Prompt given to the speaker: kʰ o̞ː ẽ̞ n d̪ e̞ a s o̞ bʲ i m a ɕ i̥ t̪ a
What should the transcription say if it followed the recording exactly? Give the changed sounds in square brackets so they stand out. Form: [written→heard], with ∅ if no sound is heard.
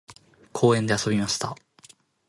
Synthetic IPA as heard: kʰ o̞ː ẽ̞ n d̪ e̞ a s o̞ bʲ i m a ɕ i̥ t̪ a